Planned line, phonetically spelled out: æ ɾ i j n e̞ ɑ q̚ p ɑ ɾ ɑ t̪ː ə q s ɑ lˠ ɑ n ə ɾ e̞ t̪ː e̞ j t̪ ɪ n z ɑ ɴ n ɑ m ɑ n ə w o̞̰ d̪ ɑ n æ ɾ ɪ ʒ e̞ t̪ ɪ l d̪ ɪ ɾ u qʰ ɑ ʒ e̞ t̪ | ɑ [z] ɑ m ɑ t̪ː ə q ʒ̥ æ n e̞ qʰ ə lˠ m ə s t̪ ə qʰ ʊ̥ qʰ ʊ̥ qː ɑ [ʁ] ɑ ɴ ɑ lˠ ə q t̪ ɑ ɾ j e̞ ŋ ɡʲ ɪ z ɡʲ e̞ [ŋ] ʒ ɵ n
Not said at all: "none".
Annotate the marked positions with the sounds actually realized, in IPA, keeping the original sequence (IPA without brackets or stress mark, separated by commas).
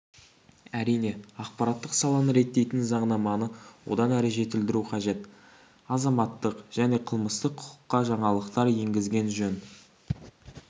z, ʒ, n